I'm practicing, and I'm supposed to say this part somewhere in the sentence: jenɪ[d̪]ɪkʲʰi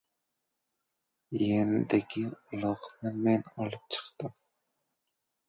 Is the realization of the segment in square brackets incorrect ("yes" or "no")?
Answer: no